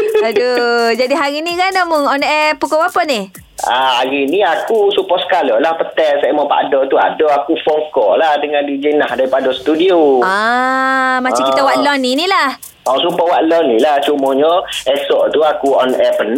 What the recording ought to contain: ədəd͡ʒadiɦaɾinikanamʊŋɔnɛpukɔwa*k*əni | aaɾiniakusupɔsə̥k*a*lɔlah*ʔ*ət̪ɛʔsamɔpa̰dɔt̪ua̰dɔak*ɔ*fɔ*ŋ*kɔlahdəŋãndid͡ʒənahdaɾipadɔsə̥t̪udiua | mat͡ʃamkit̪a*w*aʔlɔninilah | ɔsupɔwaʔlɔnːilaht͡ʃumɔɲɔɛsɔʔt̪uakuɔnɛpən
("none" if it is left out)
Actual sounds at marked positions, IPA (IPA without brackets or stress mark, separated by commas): p, a, p, u, ŋ, w